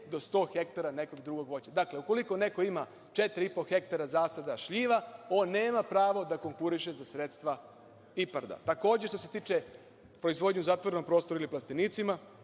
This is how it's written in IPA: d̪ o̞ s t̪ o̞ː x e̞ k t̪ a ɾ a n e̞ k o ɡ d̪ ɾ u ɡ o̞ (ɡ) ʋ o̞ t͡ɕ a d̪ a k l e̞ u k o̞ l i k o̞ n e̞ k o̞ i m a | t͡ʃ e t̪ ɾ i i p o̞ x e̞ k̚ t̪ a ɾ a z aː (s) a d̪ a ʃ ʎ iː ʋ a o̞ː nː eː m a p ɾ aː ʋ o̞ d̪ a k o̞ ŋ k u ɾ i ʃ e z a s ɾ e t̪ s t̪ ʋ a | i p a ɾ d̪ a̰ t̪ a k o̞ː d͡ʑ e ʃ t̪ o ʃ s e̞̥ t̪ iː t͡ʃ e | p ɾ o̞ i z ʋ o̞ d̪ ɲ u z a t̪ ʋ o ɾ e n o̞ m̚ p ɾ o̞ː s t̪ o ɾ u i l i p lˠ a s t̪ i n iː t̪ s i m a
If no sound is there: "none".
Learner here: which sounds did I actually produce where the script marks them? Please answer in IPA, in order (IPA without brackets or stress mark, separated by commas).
ɡ, s